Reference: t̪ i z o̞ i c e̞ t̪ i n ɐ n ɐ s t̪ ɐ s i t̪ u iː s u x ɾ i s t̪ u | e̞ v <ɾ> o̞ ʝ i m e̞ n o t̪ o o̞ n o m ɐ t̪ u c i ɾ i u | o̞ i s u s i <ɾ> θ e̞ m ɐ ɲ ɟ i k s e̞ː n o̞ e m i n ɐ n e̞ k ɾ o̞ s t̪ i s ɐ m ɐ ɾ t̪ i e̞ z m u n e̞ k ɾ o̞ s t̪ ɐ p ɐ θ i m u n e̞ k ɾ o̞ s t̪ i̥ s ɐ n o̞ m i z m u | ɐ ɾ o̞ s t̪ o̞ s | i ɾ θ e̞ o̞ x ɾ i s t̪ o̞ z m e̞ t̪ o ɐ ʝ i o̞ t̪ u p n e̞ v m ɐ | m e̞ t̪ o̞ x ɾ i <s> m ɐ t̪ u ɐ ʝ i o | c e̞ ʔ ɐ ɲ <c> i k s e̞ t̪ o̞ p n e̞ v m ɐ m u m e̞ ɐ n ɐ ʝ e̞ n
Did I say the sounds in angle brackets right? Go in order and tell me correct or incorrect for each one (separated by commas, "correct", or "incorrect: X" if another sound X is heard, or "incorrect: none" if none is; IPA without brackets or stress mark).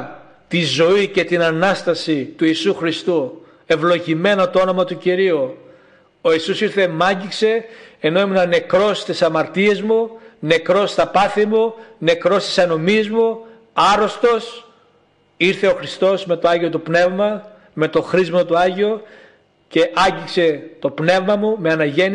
incorrect: l, correct, incorrect: z, incorrect: ɟ